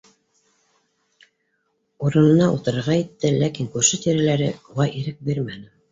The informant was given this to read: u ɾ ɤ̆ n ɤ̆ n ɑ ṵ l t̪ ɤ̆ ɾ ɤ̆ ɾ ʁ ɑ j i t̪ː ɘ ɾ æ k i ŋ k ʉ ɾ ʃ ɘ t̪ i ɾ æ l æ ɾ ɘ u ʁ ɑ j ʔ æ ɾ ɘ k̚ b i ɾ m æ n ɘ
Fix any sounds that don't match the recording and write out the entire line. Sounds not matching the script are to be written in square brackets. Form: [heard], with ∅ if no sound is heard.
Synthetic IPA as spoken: u ɾ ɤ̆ n ɤ̆ n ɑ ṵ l t̪ ɤ̆ ɾ ɤ̆ ɾ ʁ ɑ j i t̪ː ɘ [l] æ k i ŋ k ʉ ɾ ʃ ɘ t̪ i ɾ æ l æ ɾ ɘ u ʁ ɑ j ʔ [i] ɾ ɘ k̚ b i ɾ m æ n ɘ